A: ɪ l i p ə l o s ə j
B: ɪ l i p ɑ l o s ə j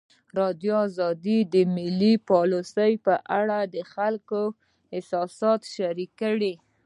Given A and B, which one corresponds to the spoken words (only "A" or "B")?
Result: B